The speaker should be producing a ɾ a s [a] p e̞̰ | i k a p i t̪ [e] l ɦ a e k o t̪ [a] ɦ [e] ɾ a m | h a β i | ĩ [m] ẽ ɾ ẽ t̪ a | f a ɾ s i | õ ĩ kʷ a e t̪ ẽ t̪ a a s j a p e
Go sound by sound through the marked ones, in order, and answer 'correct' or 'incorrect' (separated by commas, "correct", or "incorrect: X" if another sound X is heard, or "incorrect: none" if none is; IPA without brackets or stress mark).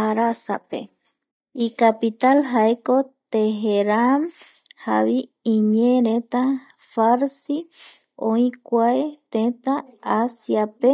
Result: correct, incorrect: a, incorrect: e, correct, incorrect: ɲ